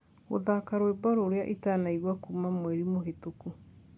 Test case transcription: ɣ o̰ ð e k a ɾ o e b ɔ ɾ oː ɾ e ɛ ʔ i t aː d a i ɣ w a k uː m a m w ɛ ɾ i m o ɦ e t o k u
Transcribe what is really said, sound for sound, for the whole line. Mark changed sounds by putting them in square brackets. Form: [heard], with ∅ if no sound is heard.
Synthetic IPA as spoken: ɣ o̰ ð [a] k a ɾ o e b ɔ ɾ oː ɾ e [a] ʔ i t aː [n] a i ɣ w a k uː m a m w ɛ ɾ i m o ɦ e t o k u